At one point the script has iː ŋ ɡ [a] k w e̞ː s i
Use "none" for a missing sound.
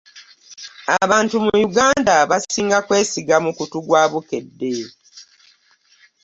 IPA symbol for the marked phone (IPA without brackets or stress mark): a